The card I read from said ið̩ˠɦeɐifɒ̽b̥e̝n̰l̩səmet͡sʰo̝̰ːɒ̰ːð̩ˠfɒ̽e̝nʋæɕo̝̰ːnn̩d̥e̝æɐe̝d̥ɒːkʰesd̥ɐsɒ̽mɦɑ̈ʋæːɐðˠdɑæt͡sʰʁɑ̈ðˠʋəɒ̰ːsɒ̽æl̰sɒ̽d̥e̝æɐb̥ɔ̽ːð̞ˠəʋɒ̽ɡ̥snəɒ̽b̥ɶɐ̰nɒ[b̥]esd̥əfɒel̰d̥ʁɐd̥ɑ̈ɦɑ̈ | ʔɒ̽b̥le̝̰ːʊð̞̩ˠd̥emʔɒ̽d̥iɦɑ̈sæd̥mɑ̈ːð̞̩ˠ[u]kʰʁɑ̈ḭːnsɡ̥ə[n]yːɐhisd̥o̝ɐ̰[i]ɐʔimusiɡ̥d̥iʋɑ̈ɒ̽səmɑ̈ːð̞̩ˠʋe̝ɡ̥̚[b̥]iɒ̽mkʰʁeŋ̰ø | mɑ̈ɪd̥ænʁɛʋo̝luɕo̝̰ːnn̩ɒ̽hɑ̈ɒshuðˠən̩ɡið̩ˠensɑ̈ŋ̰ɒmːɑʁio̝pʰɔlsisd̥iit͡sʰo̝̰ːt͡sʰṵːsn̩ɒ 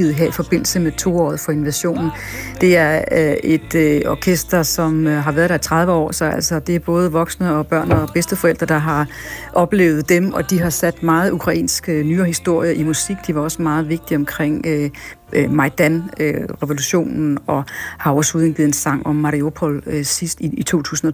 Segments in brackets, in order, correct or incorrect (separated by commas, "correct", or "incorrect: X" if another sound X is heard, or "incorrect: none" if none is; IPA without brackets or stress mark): correct, correct, correct, incorrect: j, incorrect: d̥